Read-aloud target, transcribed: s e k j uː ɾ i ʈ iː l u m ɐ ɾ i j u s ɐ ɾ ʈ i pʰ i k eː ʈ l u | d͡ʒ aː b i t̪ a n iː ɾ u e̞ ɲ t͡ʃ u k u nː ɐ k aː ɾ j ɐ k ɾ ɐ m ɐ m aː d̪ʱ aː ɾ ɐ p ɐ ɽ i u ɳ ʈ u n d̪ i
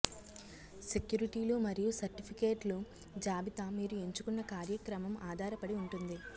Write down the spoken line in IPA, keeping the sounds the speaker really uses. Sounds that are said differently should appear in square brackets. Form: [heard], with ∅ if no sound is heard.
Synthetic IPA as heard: s e k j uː ɾ i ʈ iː l u m ɐ ɾ i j u s ɐ ɾ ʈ i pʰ i k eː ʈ l u | d͡ʒ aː b i t̪ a [m] iː ɾ u e̞ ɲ t͡ʃ u k u nː ɐ k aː ɾ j ɐ k ɾ ɐ m ɐ m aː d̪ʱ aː ɾ ɐ p ɐ ɽ i u ɳ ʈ u n d̪ i